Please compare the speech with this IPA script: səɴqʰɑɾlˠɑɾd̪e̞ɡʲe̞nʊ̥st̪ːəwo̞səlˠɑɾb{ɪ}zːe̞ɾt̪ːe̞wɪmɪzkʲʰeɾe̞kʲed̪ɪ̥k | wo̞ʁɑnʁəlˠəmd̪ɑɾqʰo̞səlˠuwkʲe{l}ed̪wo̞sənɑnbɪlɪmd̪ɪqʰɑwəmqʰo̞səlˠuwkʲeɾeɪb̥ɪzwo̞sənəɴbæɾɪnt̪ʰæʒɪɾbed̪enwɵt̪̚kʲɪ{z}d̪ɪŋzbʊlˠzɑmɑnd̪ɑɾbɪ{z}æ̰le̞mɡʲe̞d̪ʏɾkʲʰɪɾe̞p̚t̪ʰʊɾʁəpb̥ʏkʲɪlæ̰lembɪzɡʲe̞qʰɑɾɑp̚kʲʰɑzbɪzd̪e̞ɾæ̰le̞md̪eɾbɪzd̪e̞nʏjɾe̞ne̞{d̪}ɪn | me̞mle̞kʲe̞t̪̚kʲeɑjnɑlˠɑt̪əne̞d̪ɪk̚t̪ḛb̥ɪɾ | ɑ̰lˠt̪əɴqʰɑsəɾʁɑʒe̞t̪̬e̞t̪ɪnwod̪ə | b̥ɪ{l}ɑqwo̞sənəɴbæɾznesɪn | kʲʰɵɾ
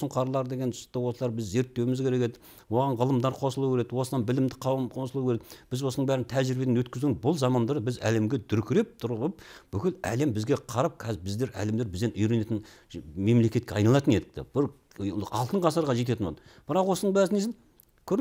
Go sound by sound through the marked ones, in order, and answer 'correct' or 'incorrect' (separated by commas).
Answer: correct, incorrect, correct, correct, incorrect, incorrect